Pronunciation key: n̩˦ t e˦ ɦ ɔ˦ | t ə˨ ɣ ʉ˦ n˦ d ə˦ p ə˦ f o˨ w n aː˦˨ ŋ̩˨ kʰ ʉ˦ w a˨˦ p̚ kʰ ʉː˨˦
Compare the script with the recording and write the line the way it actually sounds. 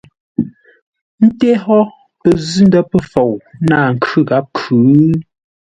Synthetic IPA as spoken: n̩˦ t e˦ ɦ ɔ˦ | p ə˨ z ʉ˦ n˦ d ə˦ p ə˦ f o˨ w n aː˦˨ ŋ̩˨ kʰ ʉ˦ ɣ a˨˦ p̚ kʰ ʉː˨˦